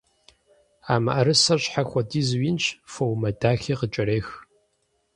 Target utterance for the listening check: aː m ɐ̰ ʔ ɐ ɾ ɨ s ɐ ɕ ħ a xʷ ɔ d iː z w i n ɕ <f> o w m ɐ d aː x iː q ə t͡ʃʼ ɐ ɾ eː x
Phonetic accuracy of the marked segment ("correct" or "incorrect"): correct